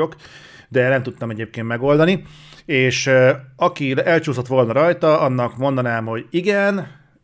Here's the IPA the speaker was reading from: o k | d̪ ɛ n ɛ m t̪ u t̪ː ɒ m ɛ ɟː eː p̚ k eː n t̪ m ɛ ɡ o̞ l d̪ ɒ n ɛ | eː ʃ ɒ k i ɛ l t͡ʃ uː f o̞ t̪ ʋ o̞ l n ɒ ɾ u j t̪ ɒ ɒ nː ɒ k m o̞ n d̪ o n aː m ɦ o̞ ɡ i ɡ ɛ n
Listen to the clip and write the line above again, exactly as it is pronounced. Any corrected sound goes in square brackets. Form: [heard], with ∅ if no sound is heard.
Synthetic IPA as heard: o k | d̪ ɛ n ɛ m t̪ u t̪ː ɒ m ɛ [ɟ] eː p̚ k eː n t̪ m ɛ ɡ o̞ l d̪ ɒ n [i] | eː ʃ ɒ k i ɛ l t͡ʃ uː [s] o̞ t̪ ʋ o̞ l n ɒ ɾ [ɒ] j t̪ ɒ ɒ nː ɒ k m o̞ n d̪ [ɒ] n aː m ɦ o̞ [ɟ] i ɡ ɛ n